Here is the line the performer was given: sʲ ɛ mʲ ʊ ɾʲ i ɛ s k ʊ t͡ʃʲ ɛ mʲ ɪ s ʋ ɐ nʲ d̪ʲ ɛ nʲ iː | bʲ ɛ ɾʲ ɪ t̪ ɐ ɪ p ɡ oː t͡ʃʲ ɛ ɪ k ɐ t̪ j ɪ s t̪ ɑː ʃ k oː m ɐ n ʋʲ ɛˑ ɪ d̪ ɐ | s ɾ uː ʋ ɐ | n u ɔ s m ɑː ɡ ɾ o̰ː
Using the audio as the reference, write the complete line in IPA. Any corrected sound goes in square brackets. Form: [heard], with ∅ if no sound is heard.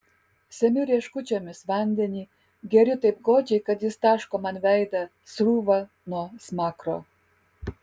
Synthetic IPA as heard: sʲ ɛ mʲ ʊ ɾʲ i ɛ [ʃ] k ʊ t͡ʃʲ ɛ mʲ ɪ s ʋ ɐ nʲ d̪ʲ ɛ nʲ iː | [ɡʲ] ɛ ɾʲ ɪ t̪ ɐ ɪ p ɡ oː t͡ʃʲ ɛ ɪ k ɐ t̪ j ɪ s t̪ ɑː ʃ k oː m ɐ n ʋʲ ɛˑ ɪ d̪ ɐ | s ɾ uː ʋ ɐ | n u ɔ s m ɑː [k] ɾ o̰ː